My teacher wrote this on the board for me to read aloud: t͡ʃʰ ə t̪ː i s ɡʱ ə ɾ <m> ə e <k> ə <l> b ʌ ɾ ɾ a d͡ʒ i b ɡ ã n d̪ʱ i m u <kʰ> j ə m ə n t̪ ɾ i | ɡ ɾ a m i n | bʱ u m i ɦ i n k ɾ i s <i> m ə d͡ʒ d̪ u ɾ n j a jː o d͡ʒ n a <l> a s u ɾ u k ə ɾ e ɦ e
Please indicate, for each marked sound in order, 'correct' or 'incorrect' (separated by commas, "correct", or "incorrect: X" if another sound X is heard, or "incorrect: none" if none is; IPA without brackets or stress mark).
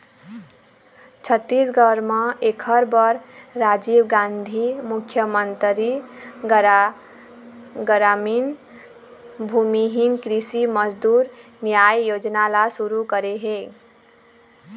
correct, incorrect: kʰ, incorrect: ɾ, correct, correct, correct